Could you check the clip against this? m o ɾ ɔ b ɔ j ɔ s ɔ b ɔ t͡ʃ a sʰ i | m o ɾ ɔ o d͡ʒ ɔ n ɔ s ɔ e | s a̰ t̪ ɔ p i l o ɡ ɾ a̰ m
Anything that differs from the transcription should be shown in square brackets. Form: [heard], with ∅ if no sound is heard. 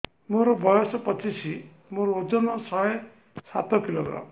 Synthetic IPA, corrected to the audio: m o ɾ ɔ b ɔ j ɔ s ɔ [p] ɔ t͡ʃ [i] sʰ i | m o ɾ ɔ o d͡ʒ ɔ n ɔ s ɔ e | s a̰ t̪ ɔ [k] i l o ɡ ɾ a̰ m